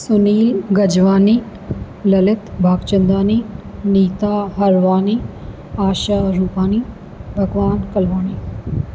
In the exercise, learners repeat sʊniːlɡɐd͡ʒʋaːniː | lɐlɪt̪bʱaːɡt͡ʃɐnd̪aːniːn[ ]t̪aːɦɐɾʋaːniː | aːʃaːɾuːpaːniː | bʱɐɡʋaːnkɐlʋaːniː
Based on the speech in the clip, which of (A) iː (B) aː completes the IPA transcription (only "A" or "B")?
A